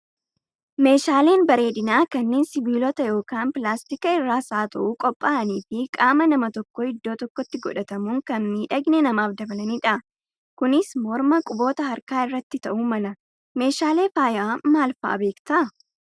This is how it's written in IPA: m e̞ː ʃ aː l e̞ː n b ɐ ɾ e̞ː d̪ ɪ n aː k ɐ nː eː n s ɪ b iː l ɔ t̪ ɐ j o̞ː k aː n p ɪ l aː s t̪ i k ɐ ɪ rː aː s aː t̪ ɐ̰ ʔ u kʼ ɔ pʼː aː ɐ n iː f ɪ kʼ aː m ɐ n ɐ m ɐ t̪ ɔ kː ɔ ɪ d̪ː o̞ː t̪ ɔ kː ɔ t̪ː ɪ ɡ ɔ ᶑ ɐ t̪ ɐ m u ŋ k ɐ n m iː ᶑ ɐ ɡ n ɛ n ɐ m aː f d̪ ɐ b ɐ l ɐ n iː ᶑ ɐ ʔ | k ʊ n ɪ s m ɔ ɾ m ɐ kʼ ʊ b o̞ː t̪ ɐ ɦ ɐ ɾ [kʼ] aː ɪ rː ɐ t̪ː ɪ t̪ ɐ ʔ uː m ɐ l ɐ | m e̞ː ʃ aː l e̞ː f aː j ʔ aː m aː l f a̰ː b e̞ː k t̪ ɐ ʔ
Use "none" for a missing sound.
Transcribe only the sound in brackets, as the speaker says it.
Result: k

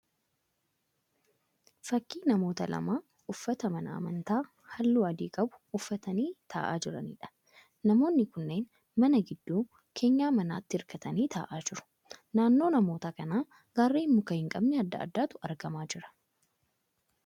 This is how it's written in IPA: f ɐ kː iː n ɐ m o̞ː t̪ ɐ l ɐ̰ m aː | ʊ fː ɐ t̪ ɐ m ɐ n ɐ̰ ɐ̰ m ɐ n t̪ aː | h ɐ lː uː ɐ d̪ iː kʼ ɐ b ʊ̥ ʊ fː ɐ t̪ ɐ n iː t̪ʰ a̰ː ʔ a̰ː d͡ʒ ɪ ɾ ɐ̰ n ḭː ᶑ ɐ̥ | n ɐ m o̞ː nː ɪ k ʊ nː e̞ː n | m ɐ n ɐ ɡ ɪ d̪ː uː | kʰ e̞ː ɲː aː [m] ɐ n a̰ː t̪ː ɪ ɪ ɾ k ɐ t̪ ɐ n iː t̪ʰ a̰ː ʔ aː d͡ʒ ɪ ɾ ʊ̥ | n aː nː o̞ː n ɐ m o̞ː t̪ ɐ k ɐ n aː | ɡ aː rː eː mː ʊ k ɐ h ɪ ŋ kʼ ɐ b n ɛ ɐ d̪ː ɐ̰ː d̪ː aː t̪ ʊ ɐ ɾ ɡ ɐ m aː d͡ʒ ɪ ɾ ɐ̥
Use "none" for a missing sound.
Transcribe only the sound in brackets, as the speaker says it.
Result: m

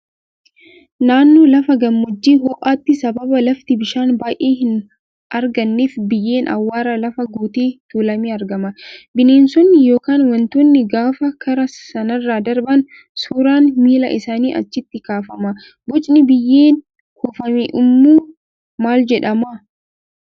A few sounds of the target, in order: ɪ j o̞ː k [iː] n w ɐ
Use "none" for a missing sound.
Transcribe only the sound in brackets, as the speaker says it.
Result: aː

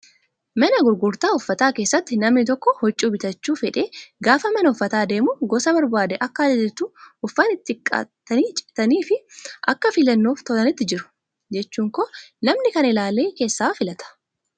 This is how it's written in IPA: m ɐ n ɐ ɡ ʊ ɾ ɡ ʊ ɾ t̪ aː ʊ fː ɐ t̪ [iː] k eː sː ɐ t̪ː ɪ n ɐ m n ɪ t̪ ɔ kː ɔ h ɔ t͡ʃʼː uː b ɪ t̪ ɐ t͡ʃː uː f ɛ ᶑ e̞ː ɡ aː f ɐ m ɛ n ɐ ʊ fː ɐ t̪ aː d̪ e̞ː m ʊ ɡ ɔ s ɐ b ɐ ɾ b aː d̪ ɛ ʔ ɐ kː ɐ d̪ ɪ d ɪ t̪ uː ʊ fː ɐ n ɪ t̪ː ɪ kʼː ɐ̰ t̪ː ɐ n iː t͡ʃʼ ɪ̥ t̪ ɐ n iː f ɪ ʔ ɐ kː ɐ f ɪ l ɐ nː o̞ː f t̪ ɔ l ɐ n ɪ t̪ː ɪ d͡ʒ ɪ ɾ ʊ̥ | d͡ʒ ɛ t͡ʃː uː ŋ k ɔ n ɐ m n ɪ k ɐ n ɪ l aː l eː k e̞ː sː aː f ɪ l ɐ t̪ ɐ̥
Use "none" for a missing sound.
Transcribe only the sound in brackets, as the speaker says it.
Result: aː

